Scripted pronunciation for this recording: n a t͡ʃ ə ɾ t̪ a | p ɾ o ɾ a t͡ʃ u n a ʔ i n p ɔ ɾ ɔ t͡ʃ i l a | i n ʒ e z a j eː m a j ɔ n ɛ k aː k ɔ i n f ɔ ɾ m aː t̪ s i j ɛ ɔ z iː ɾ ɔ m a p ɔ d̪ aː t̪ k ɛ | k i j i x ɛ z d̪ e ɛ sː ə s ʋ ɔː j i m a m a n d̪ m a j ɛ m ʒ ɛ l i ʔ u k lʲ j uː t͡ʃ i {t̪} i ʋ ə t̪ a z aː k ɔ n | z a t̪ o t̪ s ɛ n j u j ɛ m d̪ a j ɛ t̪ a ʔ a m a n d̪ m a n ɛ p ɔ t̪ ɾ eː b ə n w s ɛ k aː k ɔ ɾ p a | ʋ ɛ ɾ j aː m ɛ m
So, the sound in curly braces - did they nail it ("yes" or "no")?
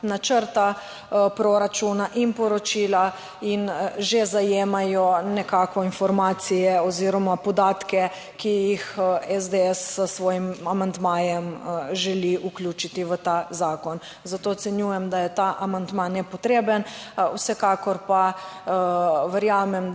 yes